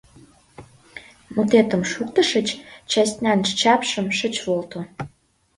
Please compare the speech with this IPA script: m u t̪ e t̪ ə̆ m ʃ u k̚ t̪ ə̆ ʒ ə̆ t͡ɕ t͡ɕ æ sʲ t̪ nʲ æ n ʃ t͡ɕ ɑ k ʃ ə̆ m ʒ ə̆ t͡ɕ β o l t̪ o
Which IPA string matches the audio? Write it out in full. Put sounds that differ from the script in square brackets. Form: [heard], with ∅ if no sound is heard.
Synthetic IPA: m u t̪ e t̪ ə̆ m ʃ u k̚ t̪ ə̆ [ʃ] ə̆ t͡ɕ t͡ɕ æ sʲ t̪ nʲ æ n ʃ t͡ɕ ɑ [p] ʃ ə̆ m [ʃ] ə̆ t͡ɕ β o l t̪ o